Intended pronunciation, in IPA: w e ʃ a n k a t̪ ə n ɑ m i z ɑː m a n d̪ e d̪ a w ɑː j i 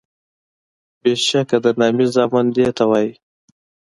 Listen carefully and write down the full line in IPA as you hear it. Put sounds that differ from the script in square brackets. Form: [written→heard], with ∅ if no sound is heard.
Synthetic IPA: [w→b] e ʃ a [n→∅] k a [t̪→d̪] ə n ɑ m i z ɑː m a n d̪ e [d̪→t̪] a w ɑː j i